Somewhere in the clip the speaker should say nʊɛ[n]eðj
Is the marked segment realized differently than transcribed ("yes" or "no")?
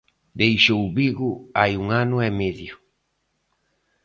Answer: yes